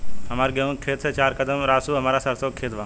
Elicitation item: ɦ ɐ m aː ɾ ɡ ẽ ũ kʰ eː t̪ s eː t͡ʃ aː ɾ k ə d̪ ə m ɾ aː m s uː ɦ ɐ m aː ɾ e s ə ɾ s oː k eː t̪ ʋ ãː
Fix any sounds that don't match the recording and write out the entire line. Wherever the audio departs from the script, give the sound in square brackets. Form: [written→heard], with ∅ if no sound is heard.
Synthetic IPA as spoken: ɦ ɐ m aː ɾ ɡ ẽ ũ kʰ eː t̪ s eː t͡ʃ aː ɾ k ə d̪ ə m ɾ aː [m→∅] s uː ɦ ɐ m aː ɾ [e→a] s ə ɾ s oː [k→kʰ] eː t̪ ʋ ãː